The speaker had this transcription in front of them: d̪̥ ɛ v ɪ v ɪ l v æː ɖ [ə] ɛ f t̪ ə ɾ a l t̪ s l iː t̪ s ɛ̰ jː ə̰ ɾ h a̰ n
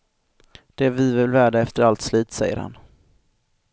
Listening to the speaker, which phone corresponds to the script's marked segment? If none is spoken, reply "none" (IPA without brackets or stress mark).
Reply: a